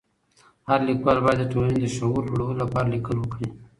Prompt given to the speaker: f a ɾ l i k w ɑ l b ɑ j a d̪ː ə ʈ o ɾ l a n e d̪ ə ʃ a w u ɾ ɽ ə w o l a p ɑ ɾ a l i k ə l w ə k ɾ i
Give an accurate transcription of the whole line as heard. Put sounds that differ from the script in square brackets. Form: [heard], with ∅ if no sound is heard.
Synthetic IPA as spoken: [h] a ɾ l i k w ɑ l b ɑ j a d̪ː ə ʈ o [∅] l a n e d̪ ə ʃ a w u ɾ ɽ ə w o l a p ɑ ɾ a l i k ə l w ə k [ɽ] i